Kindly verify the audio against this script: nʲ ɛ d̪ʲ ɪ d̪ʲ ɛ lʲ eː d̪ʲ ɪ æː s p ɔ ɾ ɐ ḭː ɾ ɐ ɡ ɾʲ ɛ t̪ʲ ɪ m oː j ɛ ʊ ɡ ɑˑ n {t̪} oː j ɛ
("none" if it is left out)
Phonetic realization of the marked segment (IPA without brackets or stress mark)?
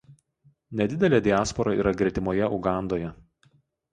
d̪